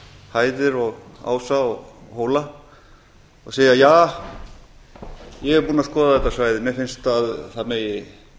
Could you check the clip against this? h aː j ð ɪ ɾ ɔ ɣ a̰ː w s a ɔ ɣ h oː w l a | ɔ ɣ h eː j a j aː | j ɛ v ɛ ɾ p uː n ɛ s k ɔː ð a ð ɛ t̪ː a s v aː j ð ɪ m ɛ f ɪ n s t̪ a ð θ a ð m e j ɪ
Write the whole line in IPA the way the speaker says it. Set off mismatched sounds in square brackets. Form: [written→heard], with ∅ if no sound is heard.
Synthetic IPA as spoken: h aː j ð ɪ ɾ ɔ ɣ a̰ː w s a ɔ ɣ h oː w l a | ɔ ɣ [h→s] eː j a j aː | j ɛ [v→ɣ] ɛ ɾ p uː n [ɛ→a] s k ɔː ð a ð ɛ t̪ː a s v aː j ð ɪ m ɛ f ɪ n s t̪ a ð θ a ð m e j ɪ